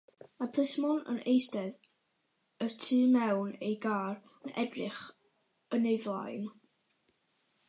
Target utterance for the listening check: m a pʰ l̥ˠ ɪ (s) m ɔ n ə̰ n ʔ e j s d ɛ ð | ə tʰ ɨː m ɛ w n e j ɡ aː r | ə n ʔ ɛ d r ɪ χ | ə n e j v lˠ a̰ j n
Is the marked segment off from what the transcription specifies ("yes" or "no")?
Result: no